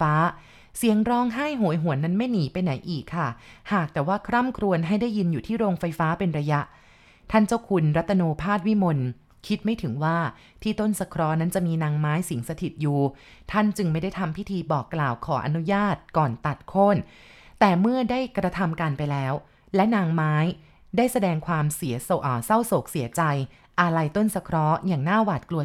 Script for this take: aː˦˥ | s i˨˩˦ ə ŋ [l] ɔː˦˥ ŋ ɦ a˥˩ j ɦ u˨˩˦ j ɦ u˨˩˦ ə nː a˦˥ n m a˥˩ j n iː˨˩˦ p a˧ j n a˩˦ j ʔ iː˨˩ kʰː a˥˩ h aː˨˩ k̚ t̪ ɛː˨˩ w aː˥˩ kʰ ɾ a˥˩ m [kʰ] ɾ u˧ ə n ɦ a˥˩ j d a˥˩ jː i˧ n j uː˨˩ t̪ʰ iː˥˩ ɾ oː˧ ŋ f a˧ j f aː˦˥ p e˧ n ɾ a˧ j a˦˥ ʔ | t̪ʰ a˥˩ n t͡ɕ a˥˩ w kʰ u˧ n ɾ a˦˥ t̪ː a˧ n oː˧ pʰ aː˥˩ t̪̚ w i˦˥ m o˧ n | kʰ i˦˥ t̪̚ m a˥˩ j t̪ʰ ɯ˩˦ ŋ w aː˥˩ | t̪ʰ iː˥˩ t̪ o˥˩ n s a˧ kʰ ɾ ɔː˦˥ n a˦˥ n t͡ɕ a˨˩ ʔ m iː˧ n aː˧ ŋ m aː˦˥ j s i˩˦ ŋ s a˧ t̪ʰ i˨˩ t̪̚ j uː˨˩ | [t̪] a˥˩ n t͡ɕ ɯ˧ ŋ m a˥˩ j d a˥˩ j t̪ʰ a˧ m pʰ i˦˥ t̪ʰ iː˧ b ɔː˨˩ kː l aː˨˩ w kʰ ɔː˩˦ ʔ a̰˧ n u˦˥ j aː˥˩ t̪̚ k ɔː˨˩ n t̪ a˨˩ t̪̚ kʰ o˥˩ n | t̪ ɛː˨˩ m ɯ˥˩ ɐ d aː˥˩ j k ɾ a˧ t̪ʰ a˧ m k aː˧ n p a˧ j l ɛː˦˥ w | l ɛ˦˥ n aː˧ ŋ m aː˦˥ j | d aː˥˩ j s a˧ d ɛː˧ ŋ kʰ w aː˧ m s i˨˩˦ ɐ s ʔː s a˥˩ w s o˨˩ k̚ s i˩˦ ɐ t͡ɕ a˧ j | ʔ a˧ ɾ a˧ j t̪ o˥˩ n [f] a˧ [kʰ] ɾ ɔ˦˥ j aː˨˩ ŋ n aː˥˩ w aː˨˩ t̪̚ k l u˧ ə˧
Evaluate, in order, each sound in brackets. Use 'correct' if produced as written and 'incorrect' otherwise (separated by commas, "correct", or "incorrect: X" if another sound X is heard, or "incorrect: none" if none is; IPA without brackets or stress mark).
incorrect: ɾ, correct, incorrect: t̪ʰ, incorrect: s, correct